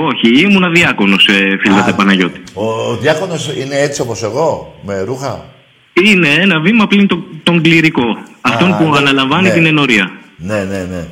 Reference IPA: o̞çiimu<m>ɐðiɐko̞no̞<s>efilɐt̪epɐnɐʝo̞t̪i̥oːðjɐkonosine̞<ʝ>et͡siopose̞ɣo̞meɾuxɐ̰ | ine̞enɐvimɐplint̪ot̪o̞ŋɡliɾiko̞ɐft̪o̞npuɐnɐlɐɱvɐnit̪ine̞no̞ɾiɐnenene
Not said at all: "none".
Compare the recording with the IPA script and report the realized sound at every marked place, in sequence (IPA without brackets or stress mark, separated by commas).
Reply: n, s, none